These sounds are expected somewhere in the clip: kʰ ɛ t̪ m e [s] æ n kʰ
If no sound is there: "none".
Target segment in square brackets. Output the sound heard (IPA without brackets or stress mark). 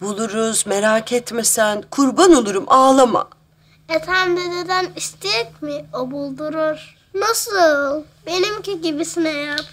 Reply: s